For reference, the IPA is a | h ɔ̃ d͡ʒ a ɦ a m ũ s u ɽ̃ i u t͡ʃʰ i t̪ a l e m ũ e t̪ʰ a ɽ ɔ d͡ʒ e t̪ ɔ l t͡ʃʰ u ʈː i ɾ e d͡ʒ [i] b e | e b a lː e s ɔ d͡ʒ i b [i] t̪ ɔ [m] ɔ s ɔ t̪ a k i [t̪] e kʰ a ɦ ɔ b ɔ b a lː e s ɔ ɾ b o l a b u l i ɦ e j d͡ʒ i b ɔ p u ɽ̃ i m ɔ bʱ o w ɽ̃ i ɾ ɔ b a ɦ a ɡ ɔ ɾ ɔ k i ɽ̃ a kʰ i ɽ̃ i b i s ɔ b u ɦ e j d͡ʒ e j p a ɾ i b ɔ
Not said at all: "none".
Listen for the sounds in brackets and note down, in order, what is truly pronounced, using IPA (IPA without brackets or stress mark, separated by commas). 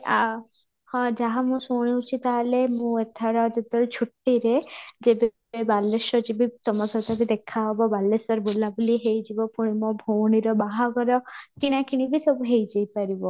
e, i, m, d̪